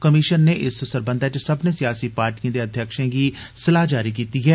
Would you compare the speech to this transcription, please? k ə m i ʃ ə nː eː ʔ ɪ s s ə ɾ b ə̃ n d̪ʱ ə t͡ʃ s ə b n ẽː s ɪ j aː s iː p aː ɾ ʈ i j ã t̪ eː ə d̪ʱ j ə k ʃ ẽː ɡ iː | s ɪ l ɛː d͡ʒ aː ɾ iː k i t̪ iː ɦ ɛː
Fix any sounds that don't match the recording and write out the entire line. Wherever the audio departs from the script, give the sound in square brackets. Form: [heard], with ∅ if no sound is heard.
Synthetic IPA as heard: k ə m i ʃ ə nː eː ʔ ɪ s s ə ɾ b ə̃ n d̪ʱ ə t͡ʃ s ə b n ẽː s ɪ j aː s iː p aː ɾ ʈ i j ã [d̪] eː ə d̪ʱ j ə k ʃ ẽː ɡ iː | s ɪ l [aː] d͡ʒ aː ɾ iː k [iː] t̪ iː ɦ ɛː